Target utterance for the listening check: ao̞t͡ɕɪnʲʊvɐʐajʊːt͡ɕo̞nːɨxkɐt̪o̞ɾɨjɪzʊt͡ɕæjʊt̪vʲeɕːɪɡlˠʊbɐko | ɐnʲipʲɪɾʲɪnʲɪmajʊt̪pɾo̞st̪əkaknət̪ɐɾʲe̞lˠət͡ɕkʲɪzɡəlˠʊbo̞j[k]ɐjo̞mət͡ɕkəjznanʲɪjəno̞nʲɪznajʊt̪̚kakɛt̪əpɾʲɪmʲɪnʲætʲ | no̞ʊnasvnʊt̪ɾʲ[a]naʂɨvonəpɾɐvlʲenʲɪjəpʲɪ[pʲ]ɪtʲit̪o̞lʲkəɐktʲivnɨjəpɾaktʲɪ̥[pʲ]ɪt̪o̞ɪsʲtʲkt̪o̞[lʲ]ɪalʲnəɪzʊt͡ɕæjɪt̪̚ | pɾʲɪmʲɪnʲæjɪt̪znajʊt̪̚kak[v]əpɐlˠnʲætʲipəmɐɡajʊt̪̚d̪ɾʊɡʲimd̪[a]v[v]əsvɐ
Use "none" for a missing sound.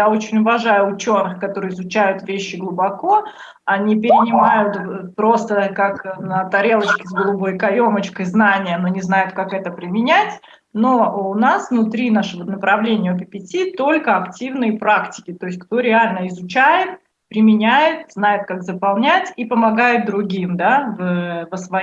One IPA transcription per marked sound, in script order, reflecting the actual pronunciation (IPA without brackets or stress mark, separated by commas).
k, i, pʲ, kʲ, ɾʲ, z, a, v